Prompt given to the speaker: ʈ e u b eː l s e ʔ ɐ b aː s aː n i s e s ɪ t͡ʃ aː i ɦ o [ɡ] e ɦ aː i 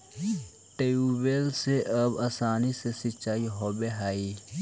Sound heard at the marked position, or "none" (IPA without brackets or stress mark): b